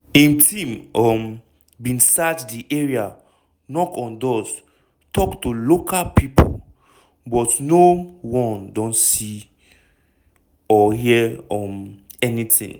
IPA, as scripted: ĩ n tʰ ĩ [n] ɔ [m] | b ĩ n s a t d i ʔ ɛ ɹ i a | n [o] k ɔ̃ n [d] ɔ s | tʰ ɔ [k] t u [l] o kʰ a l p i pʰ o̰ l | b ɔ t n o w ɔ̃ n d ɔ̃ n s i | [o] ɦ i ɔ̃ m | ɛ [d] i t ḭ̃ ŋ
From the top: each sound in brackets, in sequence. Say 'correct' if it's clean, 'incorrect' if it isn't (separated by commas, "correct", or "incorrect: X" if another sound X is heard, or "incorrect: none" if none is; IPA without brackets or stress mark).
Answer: incorrect: m, correct, incorrect: ɔ, correct, correct, correct, incorrect: ɔ, incorrect: n